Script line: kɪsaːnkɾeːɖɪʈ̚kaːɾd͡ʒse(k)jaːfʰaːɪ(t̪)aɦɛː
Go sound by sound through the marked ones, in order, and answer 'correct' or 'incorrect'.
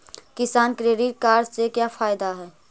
correct, incorrect: d̪

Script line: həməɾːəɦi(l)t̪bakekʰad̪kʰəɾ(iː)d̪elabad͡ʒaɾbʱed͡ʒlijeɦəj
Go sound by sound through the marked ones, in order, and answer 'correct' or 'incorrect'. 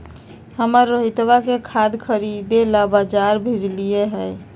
incorrect: none, incorrect: i

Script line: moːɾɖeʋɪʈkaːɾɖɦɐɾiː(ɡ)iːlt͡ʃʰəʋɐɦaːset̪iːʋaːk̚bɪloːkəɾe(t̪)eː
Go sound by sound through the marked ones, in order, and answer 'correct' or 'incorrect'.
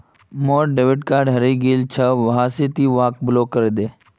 correct, incorrect: d̪

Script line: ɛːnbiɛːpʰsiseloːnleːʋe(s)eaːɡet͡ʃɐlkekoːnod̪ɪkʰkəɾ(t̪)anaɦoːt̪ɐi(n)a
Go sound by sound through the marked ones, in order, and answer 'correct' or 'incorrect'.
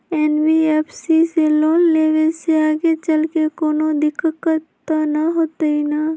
correct, correct, correct

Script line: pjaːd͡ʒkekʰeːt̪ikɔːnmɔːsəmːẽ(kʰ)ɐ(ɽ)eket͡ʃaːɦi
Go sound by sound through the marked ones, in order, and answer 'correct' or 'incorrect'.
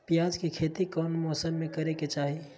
incorrect: k, incorrect: ɾ

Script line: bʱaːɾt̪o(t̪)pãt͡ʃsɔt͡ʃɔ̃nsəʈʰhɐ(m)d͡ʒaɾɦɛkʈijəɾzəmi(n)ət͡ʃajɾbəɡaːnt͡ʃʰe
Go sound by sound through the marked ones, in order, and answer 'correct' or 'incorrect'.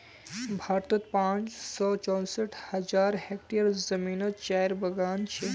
correct, incorrect: none, correct

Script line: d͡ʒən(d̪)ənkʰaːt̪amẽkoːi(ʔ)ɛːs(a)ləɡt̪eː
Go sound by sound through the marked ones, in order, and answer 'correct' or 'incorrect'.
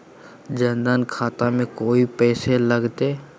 correct, incorrect: p, incorrect: e

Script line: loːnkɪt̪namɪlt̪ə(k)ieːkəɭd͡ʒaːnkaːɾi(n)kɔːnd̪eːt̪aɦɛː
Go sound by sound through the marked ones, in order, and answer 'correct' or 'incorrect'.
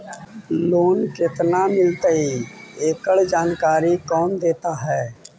incorrect: none, incorrect: none

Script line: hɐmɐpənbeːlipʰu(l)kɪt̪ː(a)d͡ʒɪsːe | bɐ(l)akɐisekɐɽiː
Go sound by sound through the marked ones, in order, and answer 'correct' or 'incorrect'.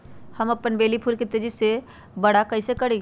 correct, incorrect: e, incorrect: ɽ

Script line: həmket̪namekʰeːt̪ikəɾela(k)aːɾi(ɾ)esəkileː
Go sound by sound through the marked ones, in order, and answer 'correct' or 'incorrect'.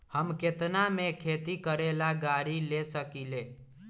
incorrect: ɡ, incorrect: l

